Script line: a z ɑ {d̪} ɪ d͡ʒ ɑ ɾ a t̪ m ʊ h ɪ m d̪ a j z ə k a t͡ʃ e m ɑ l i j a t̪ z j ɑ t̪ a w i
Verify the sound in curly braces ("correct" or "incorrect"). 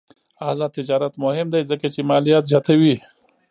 incorrect